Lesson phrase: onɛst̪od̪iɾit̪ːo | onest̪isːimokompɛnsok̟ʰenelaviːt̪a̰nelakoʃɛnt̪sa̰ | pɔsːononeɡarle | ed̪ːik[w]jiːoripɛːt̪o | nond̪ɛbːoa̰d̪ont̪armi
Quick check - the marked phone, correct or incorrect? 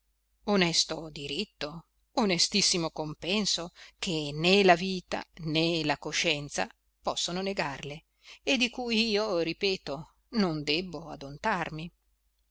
incorrect